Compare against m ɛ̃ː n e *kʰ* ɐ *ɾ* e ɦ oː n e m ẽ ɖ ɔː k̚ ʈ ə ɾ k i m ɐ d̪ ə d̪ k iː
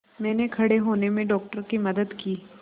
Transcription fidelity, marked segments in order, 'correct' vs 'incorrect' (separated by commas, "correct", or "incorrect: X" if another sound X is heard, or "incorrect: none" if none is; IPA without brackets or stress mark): correct, incorrect: ɽ